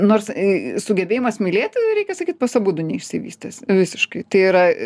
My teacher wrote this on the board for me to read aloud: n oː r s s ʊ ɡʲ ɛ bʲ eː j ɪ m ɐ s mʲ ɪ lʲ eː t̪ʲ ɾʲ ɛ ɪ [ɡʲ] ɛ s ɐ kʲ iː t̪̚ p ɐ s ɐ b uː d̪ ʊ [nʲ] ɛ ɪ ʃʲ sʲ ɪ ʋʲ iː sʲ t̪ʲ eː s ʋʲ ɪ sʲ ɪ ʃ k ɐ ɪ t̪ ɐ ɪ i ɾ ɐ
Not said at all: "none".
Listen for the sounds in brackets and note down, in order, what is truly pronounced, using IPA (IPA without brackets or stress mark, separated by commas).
kʲ, nʲ